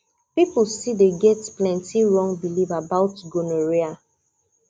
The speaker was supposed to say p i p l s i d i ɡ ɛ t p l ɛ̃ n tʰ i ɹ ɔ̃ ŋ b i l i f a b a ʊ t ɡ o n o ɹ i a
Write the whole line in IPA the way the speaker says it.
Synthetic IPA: p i p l s i d e ɡ ɛ t p l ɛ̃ n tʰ i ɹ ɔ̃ ŋ b i l i v a b a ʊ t ɡ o n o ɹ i a